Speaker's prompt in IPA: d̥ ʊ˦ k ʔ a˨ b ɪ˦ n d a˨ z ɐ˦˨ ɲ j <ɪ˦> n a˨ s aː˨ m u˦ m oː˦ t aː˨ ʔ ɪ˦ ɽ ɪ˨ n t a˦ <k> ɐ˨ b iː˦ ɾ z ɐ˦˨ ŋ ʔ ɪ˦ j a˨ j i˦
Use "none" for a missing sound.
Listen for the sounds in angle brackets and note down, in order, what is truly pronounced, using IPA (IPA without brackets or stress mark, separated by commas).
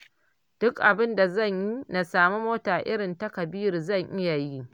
i˦, k